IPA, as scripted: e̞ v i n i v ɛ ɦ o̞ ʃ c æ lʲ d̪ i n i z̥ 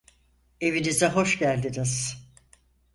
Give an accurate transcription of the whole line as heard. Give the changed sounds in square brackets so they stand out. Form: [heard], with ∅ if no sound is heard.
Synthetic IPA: e̞ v i n i [z] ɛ ɦ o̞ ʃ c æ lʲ d̪ i n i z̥